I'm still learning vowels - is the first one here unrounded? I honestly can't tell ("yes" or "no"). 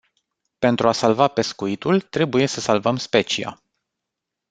yes